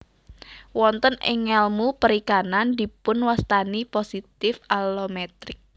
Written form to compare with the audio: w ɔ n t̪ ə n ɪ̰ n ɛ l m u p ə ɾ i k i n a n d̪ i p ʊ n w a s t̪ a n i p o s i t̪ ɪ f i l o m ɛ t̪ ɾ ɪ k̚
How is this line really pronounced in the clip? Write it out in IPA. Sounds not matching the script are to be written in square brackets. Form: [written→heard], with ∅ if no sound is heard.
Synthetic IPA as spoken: w ɔ n t̪ ə n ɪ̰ [n→ŋ] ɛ l m u p ə ɾ i k [i→a] n a n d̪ i p ʊ n w a s t̪ a n i p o s i t̪ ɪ f [i→a] l o m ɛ t̪ ɾ ɪ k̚